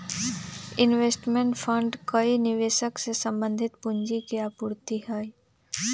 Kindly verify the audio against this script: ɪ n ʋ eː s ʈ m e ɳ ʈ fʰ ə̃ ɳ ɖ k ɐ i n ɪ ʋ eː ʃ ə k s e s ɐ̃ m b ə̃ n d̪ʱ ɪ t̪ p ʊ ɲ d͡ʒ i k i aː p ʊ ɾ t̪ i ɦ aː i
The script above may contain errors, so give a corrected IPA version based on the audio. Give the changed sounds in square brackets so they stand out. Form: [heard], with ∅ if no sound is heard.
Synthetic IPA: ɪ n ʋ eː s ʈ m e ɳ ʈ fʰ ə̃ ɳ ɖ k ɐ i n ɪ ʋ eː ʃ ə k s e s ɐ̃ m b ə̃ n d̪ʱ ɪ t̪ p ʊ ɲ d͡ʒ i k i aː p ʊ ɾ t̪ i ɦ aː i